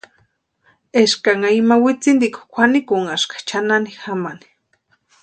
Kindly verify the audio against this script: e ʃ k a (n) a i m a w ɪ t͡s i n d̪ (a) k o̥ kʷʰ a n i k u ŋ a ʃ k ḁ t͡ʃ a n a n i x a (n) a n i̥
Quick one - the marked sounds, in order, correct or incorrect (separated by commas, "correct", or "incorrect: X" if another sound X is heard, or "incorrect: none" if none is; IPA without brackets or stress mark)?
incorrect: ŋ, incorrect: i, incorrect: m